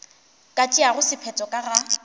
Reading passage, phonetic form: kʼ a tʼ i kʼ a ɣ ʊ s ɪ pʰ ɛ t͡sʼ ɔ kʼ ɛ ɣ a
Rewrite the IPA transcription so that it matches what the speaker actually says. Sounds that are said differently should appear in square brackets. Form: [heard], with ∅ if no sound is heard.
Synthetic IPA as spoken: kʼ a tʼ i [∅] a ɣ ʊ s ɪ pʰ ɛ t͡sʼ ɔ kʼ [a] ɣ a